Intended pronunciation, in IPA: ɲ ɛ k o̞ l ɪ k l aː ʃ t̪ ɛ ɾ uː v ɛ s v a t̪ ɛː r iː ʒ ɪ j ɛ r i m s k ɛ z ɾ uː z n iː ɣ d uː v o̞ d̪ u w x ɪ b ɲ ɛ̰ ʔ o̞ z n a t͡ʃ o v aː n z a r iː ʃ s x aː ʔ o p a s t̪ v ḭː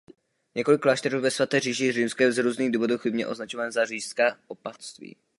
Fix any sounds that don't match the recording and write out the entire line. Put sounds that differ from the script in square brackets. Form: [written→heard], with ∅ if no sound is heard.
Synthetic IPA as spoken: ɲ ɛ k o̞ l ɪ k l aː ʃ t̪ ɛ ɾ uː v ɛ s v a t̪ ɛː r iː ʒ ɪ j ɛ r i m s k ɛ z ɾ uː z n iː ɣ d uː v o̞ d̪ u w x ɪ b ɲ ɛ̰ ʔ o̞ z n a t͡ʃ o v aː n z a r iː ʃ s [x→k] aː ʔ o p a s t̪ v ḭː